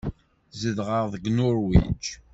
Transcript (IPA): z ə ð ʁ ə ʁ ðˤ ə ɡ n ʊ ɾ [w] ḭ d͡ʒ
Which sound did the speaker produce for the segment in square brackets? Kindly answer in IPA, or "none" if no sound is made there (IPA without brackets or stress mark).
w